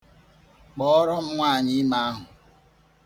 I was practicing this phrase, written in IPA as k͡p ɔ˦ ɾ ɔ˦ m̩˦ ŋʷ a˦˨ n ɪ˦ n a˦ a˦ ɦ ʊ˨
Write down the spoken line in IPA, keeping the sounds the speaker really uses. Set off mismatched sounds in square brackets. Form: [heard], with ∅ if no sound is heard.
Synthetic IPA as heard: k͡p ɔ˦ ɾ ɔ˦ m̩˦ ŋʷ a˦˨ [ɲ] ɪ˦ [m] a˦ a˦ ɦ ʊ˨